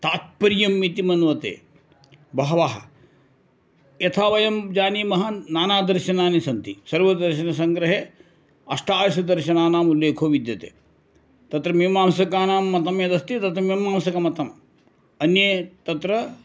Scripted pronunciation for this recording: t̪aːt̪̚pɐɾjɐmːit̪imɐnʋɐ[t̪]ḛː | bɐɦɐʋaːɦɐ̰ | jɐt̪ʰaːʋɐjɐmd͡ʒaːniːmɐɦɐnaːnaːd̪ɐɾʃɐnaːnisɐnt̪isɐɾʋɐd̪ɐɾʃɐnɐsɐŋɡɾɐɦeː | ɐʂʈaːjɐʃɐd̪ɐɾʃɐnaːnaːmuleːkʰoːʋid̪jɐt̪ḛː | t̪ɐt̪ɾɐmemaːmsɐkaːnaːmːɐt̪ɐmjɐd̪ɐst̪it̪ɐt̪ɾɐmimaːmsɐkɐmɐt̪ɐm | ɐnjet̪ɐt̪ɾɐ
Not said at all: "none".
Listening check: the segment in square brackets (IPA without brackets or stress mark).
t̪